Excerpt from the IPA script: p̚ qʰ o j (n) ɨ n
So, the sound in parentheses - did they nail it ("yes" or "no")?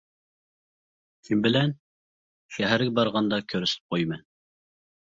no